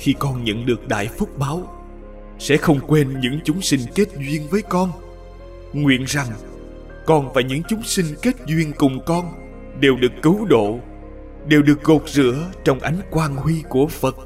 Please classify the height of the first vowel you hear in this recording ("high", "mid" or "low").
high